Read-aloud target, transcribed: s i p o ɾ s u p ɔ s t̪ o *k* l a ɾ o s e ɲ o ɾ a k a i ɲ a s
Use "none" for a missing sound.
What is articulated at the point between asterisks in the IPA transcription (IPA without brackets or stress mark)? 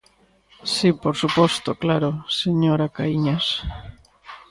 k